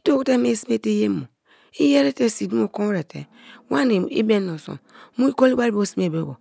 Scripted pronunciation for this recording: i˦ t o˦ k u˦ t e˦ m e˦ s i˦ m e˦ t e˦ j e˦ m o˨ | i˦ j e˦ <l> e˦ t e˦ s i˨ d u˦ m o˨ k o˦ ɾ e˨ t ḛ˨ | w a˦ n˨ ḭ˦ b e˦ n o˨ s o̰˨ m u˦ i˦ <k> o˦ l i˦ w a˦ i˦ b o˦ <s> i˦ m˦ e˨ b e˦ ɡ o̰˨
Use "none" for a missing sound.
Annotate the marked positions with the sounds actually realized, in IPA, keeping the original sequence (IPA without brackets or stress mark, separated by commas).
ɾ, k, s